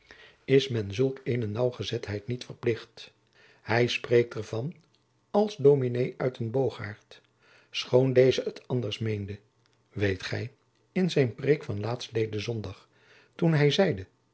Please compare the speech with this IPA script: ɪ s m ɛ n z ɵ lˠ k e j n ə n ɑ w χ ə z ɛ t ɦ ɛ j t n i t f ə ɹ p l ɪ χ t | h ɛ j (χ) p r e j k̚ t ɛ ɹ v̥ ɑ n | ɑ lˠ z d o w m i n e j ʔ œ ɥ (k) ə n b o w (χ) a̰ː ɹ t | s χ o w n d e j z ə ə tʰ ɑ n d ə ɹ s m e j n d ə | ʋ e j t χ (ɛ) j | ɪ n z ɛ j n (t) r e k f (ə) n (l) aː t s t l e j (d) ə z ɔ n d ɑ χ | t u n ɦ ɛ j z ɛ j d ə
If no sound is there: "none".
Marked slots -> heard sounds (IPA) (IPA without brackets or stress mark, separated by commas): s, t, χ, ɛ, p, ɑ, l, d